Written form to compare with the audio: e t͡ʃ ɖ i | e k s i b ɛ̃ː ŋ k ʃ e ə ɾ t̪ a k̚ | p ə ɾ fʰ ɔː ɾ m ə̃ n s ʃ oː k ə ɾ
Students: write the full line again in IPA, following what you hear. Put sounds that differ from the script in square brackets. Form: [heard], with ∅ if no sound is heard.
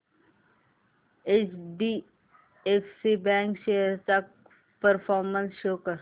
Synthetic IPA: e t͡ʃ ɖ i | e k s i b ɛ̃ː ŋ k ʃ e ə ɾ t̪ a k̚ | p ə ɾ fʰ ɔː ɾ m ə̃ n s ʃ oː k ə ɾ